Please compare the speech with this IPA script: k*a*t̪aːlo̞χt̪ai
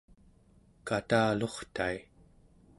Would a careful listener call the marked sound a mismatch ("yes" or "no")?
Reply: no